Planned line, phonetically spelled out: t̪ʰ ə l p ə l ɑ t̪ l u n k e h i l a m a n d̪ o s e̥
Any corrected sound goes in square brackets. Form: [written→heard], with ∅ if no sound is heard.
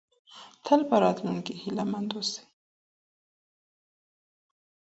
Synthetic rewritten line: t̪ʰ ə l p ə [l→ɾ] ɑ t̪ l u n k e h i l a m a n d̪ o s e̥

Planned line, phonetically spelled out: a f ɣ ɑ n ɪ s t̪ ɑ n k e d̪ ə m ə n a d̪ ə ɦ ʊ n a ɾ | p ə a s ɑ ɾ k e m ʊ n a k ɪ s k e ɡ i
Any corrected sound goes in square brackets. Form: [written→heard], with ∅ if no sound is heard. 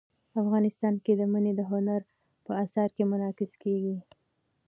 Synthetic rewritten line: a f ɣ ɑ n ɪ s t̪ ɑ n k e d̪ ə m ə n [a→e] d̪ ə ɦ ʊ n a ɾ | p ə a s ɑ ɾ k e m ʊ n [a→ɑ] k ɪ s k e ɡ i

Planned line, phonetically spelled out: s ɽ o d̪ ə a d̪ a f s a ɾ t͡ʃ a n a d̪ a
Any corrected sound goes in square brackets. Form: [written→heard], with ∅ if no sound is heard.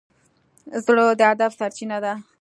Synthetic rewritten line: [s→z] ɽ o d̪ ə a d̪ a f s a ɾ t͡ʃ [a→i] n a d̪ a

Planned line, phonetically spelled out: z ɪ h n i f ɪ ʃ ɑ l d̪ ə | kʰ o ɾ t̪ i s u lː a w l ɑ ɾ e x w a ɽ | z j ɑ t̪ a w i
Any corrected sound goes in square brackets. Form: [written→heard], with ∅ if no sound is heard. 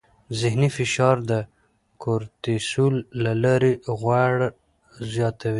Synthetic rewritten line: z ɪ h n i f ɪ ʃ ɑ [l→ɾ] d̪ ə | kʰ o ɾ t̪ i s u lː a [w→∅] l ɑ ɾ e [x→ɣ] w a ɽ | z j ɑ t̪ a w i

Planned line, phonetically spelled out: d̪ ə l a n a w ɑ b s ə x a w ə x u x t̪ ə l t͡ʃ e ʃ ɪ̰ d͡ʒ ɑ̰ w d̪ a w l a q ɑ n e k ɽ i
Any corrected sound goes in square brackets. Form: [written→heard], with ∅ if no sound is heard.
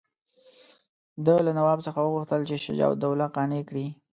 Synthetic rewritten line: d̪ ə l a n a w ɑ b s ə x a w ə [x→ɣ] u x t̪ ə l t͡ʃ e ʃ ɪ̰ d͡ʒ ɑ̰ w d̪ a w l a q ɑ n e k ɽ i

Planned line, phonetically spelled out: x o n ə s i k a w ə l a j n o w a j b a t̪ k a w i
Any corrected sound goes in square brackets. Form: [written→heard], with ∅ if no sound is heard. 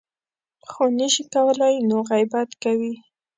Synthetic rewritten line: x o n ə [s→ʃ] i k a w ə l a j n o [w→ɣ] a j b a t̪ k a w i

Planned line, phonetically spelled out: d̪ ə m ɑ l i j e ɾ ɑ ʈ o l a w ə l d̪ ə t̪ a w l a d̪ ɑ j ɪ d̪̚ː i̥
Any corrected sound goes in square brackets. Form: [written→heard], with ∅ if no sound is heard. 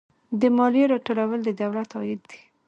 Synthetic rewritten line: d̪ ə m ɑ l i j e ɾ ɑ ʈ o l a w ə l d̪ ə [t̪→d̪] a w l a [d̪→t̪] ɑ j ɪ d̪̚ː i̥

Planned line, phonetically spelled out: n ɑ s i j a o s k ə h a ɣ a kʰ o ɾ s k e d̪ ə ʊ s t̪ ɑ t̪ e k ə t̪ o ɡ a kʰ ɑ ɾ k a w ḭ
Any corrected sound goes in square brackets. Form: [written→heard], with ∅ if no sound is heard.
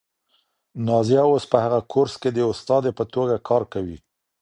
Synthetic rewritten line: n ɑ [s→z] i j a o s [k→p] ə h a ɣ a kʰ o ɾ s k e d̪ ə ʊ s t̪ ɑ [t̪→d̪] e [k→p] ə t̪ o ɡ a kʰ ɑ ɾ k a w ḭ

